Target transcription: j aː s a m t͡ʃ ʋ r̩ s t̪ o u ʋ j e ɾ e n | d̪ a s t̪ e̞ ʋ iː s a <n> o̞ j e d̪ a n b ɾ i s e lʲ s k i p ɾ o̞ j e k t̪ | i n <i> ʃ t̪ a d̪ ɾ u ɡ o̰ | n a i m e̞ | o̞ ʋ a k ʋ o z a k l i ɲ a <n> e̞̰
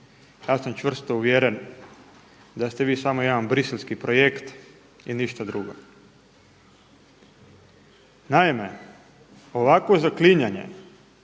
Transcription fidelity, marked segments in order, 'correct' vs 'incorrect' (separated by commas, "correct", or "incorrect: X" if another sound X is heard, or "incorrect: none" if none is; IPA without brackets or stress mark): incorrect: m, correct, incorrect: ɲ